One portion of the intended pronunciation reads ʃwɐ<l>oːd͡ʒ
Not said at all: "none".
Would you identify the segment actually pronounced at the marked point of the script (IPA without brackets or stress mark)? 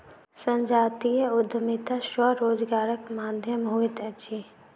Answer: ɾ